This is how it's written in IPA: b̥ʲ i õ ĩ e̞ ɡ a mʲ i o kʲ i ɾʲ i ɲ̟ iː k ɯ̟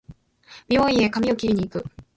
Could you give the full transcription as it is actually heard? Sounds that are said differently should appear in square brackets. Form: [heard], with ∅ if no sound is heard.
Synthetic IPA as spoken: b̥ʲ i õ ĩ e̞ [k] a mʲ i o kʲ i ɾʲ i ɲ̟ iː k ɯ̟